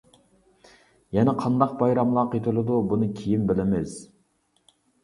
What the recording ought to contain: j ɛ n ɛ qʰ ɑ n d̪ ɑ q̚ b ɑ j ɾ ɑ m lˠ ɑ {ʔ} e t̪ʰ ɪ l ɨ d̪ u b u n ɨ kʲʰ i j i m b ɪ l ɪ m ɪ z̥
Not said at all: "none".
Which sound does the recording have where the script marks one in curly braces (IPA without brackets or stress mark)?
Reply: q